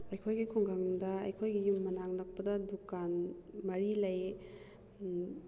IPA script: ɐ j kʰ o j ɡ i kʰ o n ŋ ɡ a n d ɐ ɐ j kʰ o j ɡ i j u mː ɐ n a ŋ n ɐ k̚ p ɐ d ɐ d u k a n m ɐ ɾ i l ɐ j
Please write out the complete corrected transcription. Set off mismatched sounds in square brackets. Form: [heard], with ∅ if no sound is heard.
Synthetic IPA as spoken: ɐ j kʰ o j ɡ i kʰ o [∅] ŋ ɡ a [ŋ] d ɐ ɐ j kʰ o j ɡ i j u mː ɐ n a ŋ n ɐ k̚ p ɐ d ɐ d u k a n m ɐ ɾ i l ɐ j

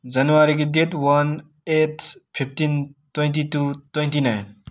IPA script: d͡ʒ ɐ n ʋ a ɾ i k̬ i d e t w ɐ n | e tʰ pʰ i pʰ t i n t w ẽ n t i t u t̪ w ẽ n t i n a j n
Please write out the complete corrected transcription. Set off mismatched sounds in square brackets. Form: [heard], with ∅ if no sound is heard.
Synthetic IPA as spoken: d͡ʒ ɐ n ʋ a ɾ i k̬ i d e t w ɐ n | e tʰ pʰ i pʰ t i n t w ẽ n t i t u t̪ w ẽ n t i n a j n

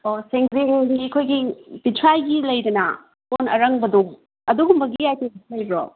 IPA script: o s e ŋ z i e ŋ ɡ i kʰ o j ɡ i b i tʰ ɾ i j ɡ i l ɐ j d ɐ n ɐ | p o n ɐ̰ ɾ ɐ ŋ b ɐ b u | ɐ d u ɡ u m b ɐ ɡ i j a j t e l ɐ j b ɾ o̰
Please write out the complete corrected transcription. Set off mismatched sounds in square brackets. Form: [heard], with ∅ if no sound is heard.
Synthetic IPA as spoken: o s e ŋ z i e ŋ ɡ i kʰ o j ɡ i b i tʰ ɾ [a] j ɡ i l ɐ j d ɐ n ɐ | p o n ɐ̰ ɾ ɐ ŋ b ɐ [d] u | ɐ d u ɡ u m b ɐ ɡ i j a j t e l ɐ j b ɾ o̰

